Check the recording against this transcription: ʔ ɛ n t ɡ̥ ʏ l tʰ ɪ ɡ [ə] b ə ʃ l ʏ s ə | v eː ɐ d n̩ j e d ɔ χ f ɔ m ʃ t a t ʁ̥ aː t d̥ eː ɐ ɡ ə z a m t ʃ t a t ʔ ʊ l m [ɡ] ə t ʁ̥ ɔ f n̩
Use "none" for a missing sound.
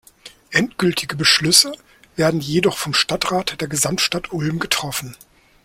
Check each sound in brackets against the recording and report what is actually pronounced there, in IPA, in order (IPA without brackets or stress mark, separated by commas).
ə, ɡ